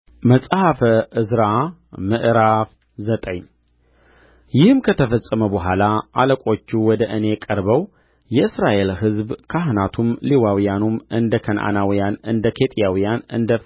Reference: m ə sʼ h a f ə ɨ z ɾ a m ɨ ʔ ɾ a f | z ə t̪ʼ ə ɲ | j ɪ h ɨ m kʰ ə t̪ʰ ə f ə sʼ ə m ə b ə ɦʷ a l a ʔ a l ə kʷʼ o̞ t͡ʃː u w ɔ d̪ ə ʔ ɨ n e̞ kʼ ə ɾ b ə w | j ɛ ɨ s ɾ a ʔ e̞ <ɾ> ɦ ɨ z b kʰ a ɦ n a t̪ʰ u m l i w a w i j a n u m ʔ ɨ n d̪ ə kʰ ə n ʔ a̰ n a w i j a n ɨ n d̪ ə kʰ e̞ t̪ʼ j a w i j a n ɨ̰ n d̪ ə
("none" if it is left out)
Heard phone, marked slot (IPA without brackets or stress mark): l